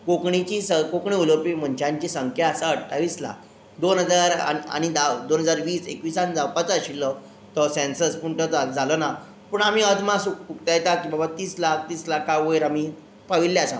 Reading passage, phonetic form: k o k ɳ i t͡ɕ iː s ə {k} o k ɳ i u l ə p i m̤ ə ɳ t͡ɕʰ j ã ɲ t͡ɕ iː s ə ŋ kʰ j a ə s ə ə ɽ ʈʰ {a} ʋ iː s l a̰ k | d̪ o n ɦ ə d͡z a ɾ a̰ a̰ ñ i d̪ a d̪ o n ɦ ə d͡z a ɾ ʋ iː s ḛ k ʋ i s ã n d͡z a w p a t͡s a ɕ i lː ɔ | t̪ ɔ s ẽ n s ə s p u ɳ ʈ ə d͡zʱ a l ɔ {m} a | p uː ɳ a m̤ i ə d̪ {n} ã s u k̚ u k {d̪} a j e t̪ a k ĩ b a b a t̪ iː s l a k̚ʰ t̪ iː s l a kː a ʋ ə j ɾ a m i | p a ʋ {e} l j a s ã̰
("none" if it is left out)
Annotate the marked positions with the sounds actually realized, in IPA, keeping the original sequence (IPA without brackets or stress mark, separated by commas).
k, a, n, m, t̪, i